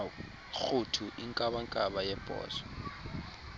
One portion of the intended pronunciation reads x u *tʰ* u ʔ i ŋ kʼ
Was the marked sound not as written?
no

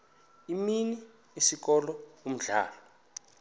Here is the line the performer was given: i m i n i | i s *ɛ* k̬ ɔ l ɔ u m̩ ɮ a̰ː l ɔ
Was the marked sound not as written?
yes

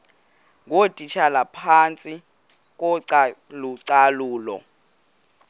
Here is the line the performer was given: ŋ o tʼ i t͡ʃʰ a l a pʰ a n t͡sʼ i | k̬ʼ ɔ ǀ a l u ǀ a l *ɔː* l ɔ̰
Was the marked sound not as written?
yes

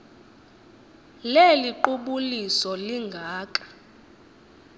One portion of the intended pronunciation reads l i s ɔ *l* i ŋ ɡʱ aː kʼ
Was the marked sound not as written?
no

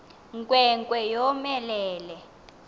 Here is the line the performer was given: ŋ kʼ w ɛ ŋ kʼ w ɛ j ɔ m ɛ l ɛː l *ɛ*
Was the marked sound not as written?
no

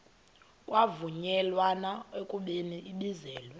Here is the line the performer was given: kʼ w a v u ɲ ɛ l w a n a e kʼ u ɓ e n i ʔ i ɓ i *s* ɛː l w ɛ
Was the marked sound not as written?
yes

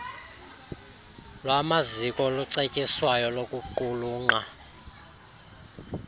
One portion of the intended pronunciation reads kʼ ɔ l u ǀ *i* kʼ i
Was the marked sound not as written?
yes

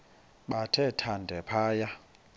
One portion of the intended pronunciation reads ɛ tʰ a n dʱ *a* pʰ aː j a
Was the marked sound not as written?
yes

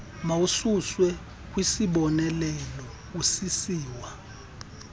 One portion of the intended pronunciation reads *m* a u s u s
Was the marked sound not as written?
no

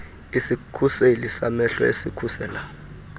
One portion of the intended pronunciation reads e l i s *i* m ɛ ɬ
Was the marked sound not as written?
yes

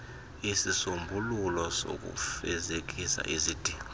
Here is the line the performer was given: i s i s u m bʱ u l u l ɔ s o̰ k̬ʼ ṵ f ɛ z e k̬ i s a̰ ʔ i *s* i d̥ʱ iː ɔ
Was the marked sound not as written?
yes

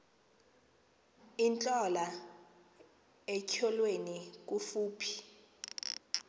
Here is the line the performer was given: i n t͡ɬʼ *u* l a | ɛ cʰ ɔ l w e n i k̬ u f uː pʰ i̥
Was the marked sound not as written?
yes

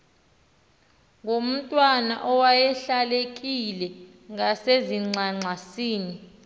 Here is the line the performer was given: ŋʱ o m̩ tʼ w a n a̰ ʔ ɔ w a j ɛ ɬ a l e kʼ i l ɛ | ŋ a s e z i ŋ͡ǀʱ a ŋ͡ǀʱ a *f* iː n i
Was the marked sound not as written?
yes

